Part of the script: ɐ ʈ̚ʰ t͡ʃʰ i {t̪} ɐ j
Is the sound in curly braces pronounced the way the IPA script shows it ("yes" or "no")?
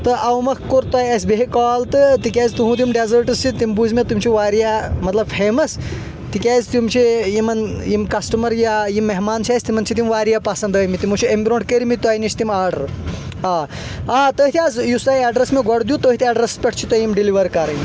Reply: yes